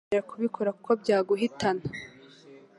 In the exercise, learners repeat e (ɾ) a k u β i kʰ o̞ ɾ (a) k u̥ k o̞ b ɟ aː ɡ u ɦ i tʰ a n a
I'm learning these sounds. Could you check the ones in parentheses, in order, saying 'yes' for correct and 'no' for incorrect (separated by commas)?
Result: yes, yes